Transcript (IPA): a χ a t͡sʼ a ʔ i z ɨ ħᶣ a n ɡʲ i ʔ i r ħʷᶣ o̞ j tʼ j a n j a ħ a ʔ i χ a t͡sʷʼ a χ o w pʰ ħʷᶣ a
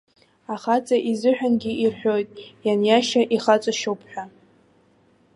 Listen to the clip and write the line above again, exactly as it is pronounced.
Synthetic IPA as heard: a χ a t͡sʼ a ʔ i z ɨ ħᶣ a n ɡʲ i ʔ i r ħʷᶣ o̞ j tʼ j a n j a ʃ a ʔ i χ a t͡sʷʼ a ʃ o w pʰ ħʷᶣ a